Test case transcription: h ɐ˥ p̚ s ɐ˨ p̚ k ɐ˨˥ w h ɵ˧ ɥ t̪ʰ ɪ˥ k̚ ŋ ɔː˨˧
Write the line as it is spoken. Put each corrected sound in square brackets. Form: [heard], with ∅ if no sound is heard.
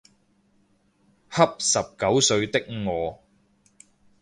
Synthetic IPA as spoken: h ɐ˥ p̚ s ɐ˨ p̚ k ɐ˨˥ w [s] ɵ˧ ɥ [t̪] ɪ˥ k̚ ŋ ɔː˨˧